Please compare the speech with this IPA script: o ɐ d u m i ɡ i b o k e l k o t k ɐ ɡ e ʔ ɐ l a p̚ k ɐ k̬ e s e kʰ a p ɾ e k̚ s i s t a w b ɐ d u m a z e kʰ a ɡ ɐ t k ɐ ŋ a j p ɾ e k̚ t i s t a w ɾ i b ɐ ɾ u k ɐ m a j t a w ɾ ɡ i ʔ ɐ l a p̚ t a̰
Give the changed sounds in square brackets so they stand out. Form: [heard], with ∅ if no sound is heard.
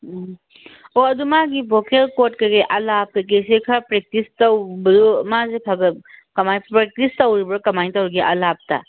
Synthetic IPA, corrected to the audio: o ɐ d u m [a] ɡ i b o k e l k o t k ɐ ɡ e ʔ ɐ l a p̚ k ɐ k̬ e s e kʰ a p ɾ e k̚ [t] i s t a w b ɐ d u m a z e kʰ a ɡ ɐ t k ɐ [m] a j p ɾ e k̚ t i s t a w ɾ i b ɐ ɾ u k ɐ m a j t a w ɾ ɡ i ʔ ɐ l a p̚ t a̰